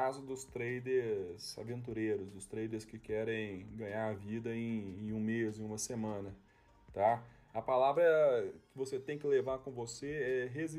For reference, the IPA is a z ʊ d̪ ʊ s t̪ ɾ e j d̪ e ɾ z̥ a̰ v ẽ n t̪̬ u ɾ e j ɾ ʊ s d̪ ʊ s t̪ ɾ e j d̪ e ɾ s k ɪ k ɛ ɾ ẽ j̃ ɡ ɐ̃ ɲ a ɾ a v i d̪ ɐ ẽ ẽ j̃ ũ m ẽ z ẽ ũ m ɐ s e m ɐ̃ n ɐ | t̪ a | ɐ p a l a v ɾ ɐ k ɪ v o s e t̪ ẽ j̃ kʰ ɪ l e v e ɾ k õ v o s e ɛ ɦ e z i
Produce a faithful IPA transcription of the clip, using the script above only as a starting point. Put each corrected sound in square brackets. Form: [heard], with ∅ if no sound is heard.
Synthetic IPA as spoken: a z ʊ d̪ ʊ s t̪ ɾ e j d̪ e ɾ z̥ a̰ v ẽ n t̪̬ u ɾ e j ɾ ʊ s d̪ ʊ s t̪ ɾ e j d̪ e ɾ s k ɪ k ɛ ɾ ẽ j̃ ɡ ɐ̃ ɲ a ɾ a v i d̪ ɐ ẽ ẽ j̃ ũ m [e] z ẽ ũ m ɐ s e m ɐ̃ n ɐ | t̪ a | ɐ p a l a v ɾ ɐ k ɪ v o s e t̪ ẽ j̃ [k] ɪ l e v [a] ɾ k õ v o s e ɛ ɦ e z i